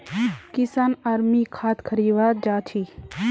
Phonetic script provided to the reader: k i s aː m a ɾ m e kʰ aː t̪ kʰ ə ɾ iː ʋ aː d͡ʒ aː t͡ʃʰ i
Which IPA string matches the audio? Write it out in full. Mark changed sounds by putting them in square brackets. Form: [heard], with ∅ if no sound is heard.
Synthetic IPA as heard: k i s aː [n] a ɾ m [i] kʰ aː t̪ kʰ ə ɾ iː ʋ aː d͡ʒ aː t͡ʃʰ i